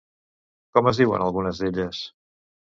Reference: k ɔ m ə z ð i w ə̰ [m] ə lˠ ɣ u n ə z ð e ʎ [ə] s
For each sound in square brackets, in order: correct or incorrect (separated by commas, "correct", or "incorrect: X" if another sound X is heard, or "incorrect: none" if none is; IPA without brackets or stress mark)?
incorrect: n, correct